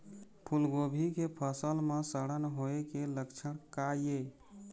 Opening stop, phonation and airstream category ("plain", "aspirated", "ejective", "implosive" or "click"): aspirated